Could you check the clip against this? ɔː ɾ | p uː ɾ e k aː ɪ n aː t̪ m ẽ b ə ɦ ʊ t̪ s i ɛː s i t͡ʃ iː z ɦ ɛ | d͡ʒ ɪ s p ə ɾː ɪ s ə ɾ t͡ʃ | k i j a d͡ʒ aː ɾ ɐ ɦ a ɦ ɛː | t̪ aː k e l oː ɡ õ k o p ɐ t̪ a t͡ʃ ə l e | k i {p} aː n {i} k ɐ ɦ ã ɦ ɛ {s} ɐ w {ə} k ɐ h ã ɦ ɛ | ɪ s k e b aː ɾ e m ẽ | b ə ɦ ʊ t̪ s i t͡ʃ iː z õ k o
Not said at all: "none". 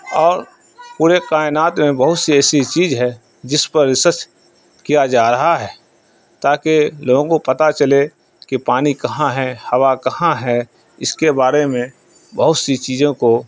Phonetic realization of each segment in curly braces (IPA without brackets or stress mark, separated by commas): p, i, h, a